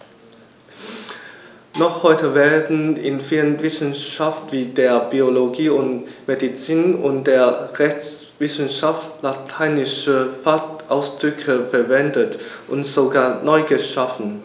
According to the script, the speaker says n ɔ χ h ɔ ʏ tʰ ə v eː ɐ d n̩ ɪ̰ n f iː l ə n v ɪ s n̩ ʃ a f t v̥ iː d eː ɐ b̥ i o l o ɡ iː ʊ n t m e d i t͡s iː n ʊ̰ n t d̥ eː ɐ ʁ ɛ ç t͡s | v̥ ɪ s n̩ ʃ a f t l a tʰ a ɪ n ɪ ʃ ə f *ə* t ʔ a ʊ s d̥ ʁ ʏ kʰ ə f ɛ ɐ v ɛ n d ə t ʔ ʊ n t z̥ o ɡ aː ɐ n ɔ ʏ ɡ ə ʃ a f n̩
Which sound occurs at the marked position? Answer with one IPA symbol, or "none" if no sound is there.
a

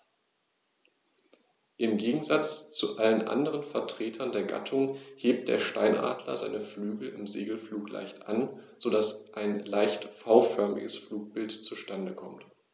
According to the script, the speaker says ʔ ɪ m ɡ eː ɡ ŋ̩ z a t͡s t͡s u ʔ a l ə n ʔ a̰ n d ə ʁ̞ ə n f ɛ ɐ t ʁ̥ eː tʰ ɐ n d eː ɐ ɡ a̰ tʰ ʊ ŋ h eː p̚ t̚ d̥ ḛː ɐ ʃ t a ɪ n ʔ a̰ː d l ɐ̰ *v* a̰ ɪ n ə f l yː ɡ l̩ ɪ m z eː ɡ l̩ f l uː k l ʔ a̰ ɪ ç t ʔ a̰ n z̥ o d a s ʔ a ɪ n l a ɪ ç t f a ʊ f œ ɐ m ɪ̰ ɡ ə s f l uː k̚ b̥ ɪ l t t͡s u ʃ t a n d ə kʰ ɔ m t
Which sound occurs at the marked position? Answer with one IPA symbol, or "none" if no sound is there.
z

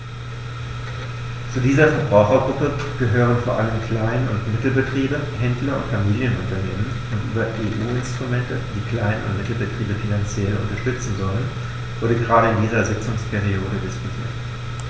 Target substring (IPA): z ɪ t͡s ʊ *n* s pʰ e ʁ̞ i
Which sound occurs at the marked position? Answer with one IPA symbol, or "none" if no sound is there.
ŋ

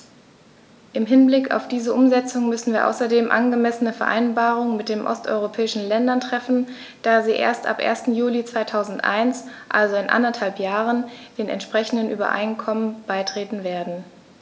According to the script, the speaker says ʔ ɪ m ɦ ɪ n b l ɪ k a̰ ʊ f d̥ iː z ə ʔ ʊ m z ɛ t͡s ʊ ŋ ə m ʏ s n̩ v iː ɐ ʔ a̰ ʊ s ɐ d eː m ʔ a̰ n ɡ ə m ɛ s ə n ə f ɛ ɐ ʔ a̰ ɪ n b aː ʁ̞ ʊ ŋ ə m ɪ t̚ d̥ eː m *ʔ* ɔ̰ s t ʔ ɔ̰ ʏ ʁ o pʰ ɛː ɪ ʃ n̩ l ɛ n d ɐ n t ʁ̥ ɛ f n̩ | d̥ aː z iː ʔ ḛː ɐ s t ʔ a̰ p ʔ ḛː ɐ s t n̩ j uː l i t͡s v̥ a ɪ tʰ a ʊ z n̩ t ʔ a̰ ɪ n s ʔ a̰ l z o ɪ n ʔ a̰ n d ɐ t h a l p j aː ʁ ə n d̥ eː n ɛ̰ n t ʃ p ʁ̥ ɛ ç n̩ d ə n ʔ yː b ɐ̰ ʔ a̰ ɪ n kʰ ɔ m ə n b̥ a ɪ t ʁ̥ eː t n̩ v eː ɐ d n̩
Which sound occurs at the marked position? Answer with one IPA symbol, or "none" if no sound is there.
ʔ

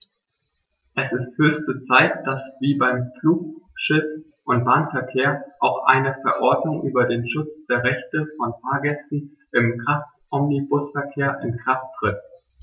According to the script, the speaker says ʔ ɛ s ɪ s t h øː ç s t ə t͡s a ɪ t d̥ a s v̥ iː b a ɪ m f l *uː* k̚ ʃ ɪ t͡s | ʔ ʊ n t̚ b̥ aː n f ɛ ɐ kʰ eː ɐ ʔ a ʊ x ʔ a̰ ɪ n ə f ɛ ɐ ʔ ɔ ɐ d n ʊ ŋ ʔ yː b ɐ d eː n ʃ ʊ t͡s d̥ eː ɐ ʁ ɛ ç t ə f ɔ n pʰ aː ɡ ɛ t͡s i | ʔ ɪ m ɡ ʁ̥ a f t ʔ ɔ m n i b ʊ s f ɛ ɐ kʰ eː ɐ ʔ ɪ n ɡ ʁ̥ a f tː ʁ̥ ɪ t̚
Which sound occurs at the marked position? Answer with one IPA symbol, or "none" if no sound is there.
uː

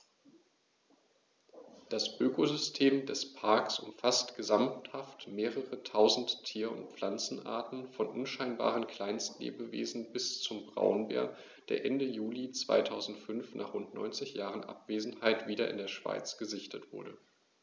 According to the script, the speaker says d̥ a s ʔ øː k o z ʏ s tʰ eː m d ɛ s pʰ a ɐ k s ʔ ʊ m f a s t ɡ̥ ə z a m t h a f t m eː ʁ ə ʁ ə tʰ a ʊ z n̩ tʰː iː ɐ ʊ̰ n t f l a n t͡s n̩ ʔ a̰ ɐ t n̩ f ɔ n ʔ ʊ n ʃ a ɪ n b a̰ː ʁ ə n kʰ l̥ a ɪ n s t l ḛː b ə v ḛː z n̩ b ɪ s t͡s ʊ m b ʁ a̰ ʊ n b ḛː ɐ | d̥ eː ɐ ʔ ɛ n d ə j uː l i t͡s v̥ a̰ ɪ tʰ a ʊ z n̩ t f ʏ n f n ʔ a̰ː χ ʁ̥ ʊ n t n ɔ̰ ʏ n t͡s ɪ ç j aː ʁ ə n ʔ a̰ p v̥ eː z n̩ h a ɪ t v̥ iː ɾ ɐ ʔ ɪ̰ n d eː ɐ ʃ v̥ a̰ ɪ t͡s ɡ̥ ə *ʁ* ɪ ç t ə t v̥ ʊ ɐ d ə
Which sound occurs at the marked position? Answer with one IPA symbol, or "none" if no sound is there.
z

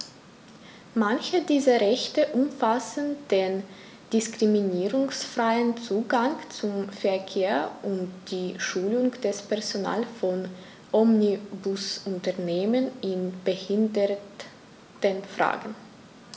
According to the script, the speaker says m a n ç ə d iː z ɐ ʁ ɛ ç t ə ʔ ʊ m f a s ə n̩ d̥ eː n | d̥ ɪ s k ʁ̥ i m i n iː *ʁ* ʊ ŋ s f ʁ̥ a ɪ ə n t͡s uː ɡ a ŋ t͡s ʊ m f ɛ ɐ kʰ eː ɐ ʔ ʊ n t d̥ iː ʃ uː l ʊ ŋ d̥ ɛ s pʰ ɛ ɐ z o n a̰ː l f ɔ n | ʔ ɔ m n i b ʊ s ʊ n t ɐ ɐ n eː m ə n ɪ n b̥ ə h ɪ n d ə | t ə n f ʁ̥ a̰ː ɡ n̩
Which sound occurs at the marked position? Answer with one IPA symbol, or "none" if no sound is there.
ʁ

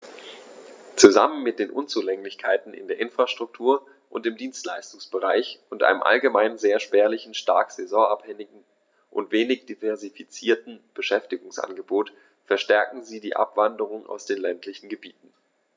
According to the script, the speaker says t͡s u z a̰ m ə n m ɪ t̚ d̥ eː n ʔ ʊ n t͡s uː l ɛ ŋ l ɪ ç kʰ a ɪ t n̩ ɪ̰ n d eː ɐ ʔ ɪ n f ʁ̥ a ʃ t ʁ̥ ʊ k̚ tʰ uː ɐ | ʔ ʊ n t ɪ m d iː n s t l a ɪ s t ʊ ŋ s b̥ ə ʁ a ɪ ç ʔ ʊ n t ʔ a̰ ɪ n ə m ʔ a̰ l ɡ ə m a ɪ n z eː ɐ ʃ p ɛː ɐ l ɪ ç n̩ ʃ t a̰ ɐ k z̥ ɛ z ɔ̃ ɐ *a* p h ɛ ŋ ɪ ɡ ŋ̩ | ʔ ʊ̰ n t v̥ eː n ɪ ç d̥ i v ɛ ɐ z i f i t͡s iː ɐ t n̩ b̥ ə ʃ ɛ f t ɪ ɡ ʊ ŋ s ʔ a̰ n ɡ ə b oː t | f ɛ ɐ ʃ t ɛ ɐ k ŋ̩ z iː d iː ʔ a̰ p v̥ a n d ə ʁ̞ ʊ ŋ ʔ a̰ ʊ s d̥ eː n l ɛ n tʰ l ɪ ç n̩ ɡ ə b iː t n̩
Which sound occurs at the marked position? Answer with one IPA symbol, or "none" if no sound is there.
a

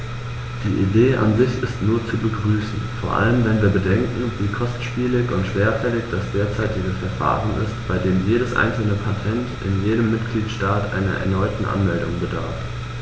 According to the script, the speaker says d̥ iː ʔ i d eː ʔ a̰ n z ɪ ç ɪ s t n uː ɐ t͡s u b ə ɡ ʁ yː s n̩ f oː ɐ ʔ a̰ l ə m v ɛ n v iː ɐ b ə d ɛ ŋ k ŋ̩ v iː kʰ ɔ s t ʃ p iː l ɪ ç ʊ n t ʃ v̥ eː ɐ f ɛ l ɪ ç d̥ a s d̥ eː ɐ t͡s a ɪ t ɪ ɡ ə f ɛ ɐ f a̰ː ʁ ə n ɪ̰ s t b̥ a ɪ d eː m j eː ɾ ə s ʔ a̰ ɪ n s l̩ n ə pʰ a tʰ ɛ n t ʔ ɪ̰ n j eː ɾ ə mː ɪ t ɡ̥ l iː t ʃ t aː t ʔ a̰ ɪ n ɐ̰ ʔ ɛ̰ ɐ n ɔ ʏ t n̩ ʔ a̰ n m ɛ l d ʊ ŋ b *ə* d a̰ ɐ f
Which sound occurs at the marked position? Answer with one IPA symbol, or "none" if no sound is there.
ə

